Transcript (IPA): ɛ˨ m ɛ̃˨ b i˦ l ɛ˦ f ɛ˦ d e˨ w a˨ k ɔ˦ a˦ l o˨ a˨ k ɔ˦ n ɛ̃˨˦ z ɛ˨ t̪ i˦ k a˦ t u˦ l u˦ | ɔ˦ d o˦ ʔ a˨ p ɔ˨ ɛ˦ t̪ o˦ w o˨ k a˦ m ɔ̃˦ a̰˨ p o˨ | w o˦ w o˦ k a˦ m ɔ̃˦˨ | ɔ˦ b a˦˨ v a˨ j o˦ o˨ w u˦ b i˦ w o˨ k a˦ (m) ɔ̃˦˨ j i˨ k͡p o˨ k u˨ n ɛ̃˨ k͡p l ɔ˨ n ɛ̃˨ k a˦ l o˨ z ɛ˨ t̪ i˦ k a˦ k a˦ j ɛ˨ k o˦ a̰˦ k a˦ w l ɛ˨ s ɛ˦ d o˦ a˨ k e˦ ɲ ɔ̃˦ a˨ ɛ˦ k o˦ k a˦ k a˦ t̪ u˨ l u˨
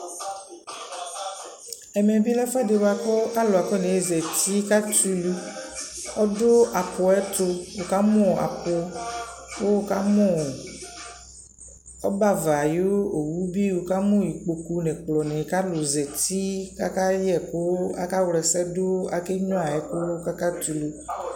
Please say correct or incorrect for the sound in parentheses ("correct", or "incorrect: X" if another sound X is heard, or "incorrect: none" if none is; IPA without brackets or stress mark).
correct